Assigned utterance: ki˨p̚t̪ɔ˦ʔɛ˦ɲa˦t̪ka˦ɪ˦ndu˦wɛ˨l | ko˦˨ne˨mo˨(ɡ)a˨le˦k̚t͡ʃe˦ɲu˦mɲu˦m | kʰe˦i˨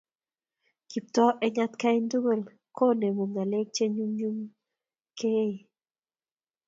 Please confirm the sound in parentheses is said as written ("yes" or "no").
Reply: no